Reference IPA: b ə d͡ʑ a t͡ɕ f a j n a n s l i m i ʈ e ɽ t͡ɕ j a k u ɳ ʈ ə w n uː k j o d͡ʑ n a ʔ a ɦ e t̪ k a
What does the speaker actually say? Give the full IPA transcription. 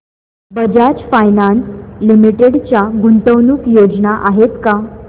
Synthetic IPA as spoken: b ə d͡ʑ a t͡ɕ f a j n a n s l i m i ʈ e ɽ t͡ɕ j a ɡ u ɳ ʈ ə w n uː k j o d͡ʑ n a ʔ a ɦ e t̪ k a